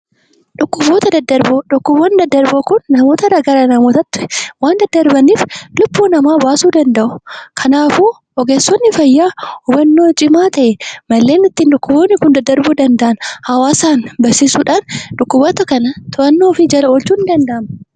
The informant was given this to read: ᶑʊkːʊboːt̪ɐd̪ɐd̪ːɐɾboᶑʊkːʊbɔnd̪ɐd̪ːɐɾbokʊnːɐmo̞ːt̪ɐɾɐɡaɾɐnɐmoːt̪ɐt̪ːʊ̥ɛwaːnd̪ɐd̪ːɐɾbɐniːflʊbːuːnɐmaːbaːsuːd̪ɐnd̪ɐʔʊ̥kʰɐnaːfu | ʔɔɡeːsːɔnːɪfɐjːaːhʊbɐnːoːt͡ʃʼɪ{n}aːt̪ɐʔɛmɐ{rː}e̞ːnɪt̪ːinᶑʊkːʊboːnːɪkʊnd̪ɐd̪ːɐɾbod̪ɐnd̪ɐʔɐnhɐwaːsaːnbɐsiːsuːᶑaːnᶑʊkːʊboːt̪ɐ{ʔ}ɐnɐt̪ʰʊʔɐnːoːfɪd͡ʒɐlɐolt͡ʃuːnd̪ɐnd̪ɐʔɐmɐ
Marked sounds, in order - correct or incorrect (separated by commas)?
incorrect, incorrect, incorrect